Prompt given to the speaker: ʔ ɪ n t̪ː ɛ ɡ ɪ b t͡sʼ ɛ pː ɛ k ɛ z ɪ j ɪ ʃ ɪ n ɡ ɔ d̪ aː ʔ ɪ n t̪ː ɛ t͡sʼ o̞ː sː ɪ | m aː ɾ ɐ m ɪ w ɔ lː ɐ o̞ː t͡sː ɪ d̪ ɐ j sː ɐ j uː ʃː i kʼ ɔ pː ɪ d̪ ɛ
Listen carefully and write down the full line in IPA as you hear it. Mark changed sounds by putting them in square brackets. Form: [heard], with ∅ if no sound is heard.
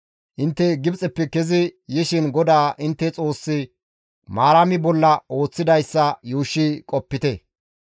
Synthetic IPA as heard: ʔ ɪ n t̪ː ɛ ɡ ɪ b t͡sʼ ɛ pː ɛ k ɛ z ɪ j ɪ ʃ ɪ n ɡ ɔ d̪ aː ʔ ɪ n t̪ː ɛ t͡sʼ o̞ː sː ɪ | m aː ɾ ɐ m ɪ [b] ɔ lː ɐ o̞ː t͡sː ɪ d̪ ɐ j sː ɐ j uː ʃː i kʼ ɔ pː ɪ [t̪] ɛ